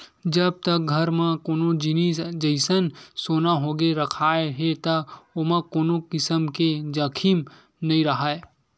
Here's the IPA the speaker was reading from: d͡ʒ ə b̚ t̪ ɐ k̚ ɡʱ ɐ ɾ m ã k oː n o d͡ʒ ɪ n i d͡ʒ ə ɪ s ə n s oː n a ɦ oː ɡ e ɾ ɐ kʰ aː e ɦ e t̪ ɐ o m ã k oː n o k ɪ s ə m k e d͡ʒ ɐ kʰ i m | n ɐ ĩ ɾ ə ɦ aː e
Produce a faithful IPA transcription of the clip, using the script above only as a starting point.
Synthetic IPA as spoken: d͡ʒ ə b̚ t̪ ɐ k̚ ɡʱ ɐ ɾ m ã k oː n o d͡ʒ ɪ n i d͡ʒ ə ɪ s ə n s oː n a ɦ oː ɡ e ɾ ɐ kʰ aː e ɦ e t̪ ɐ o m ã k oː n o k ɪ s ə m k e d͡ʒ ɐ kʰ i m | n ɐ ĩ ɾ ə ɦ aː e